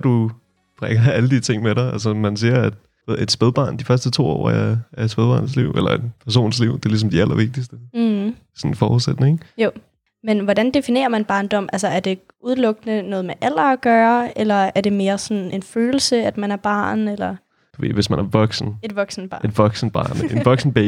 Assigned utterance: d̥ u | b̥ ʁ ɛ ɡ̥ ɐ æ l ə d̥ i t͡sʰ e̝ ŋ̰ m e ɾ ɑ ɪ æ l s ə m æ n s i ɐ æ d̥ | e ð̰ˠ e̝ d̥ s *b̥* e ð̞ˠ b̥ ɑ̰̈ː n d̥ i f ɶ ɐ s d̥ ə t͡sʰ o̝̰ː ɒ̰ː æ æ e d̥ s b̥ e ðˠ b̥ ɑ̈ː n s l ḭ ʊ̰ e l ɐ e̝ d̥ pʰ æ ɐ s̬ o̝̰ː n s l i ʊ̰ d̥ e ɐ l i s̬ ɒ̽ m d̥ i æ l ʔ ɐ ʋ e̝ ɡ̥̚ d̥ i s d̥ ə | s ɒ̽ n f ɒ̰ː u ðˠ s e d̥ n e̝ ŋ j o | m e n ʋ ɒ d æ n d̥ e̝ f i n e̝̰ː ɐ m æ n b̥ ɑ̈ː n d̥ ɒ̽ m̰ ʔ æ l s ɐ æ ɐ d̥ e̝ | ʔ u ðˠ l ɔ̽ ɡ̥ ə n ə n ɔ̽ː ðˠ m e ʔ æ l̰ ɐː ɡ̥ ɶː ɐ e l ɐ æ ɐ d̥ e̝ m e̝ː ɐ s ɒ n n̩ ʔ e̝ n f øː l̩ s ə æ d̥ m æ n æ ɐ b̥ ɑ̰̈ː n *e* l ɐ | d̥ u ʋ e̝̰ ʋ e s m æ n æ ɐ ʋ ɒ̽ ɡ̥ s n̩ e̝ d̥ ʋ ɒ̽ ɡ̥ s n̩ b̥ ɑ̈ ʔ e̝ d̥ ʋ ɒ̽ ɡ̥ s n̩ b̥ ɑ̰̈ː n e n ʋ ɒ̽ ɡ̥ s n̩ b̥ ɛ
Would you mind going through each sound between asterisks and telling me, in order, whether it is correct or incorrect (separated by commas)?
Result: correct, correct